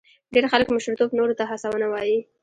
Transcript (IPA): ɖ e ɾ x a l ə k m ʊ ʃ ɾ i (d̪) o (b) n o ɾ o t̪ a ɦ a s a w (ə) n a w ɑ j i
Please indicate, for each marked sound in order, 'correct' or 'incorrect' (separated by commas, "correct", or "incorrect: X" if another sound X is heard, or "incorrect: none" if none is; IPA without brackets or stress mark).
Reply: incorrect: t̪, correct, correct